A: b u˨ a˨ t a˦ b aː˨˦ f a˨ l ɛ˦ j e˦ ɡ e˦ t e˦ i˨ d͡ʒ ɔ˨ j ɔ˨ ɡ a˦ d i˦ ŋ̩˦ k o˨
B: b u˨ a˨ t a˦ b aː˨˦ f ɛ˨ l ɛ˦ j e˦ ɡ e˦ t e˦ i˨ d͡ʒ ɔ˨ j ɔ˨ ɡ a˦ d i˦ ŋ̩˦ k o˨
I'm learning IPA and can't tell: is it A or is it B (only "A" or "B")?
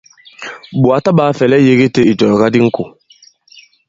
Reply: B